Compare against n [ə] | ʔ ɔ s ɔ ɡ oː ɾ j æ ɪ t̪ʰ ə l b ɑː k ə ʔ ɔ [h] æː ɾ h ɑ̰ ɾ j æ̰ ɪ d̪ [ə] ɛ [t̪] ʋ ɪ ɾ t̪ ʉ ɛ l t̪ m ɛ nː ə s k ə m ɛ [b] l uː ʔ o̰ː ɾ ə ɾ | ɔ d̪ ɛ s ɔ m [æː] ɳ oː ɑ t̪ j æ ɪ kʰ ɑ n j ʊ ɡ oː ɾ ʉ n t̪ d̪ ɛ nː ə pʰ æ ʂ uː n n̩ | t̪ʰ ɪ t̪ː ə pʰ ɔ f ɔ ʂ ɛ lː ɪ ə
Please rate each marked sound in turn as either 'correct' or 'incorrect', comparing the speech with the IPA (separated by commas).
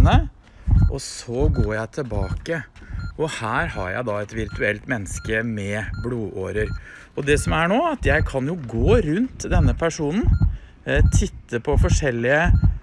correct, correct, incorrect, correct, correct, incorrect